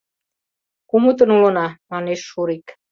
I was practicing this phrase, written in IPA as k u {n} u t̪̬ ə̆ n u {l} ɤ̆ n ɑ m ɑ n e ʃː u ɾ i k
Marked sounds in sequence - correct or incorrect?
incorrect: m, correct

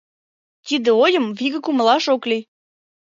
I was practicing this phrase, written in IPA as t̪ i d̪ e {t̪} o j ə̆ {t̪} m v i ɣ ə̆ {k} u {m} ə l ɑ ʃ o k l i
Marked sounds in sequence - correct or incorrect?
incorrect: none, incorrect: none, correct, correct

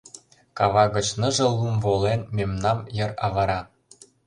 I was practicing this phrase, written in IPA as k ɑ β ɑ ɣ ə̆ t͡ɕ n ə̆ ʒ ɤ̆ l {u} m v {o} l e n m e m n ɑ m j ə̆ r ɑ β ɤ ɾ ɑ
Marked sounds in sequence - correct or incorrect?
correct, correct

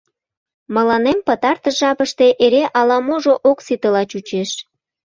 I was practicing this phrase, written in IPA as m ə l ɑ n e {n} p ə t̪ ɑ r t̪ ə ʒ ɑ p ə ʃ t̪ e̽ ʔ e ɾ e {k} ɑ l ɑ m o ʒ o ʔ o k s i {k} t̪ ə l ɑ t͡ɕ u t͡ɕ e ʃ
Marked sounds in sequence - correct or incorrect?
incorrect: m, incorrect: ʔ, incorrect: none

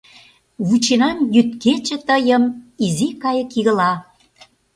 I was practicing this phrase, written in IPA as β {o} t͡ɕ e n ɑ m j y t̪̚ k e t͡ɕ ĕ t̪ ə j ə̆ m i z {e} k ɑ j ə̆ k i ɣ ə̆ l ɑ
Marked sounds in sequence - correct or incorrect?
incorrect: u, incorrect: i

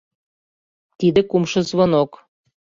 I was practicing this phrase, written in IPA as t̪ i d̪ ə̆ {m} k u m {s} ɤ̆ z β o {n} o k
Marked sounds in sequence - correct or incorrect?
incorrect: none, incorrect: ʃ, correct

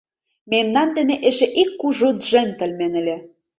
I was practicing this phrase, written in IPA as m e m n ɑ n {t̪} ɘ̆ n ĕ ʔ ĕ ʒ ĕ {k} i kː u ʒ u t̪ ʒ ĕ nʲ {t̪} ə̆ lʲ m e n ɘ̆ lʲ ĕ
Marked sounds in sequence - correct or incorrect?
incorrect: d̪, incorrect: ʔ, correct

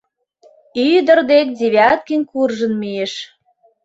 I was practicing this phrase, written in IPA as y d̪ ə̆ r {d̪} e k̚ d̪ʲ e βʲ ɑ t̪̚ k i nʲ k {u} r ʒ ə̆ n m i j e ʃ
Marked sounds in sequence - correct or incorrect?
correct, correct

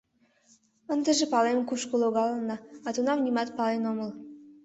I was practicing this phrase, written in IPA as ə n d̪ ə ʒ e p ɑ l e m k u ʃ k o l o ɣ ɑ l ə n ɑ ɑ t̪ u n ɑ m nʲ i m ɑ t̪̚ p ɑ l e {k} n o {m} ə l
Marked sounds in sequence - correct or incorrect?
incorrect: none, correct

